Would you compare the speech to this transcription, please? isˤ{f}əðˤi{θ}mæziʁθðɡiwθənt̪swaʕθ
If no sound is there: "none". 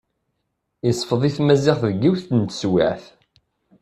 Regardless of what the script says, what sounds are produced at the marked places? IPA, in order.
f, θ

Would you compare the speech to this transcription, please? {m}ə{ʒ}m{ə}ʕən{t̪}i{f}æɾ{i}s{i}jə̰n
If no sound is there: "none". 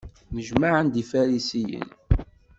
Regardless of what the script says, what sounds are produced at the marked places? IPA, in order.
m, ʒ, a, d̪, f, i, i

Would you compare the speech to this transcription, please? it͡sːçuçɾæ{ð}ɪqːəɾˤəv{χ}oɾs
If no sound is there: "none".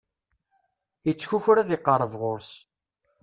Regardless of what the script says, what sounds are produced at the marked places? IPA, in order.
ð, ʁ

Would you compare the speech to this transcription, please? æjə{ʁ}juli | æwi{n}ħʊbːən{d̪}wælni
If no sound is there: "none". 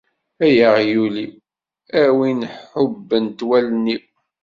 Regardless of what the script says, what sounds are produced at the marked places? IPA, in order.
ʁ, n, t̪

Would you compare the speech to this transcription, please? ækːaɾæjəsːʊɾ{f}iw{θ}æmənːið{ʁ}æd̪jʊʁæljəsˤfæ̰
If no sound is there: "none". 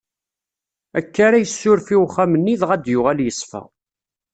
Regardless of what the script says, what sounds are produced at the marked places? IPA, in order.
f, χ, ʁ

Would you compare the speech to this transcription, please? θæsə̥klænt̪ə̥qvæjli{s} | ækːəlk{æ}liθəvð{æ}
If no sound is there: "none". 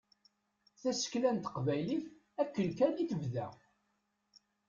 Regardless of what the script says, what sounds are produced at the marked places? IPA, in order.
θ, æ, æ

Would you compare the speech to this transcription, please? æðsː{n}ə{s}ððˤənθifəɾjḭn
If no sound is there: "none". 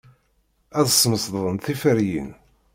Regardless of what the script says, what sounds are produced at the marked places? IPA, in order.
m, s

